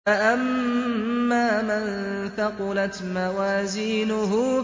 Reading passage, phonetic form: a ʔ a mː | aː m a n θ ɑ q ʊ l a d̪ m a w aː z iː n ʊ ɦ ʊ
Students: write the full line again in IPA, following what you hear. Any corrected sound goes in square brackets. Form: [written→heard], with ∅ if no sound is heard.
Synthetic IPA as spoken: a ʔ a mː | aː m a n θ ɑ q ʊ l a [d̪→t̪] m a w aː z iː n ʊ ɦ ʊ